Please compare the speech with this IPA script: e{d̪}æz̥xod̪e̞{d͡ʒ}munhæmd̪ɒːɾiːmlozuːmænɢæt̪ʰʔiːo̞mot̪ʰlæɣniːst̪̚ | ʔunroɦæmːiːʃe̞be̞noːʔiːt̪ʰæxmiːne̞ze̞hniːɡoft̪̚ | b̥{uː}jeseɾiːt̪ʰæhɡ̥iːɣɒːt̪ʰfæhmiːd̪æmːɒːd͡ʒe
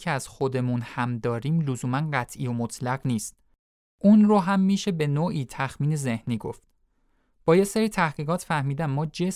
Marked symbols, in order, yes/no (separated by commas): no, no, no